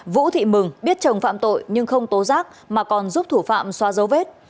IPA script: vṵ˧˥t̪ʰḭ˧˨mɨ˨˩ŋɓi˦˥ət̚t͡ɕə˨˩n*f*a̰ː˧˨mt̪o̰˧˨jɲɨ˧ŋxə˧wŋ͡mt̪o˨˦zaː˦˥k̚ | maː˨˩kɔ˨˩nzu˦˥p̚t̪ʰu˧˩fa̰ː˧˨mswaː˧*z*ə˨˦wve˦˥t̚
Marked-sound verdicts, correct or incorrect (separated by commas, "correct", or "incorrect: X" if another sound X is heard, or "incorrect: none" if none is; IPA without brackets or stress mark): correct, correct